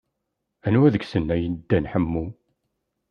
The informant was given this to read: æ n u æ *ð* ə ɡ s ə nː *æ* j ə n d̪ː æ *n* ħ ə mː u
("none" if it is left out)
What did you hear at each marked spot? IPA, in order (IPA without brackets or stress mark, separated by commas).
ð, æ, n